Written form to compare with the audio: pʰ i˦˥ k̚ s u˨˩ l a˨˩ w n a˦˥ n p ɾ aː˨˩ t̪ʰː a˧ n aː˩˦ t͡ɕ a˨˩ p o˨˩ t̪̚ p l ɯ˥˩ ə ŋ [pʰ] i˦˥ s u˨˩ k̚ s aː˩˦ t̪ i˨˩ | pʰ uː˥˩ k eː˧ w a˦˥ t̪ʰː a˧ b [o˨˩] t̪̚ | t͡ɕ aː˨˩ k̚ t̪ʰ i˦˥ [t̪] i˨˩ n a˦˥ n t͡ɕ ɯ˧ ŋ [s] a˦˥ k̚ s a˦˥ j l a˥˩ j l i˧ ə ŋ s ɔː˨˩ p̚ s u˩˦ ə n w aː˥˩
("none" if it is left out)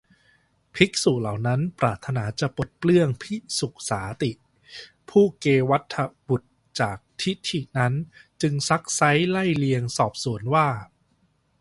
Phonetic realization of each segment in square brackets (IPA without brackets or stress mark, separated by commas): pʰ, u˨˩, t̪ʰ, s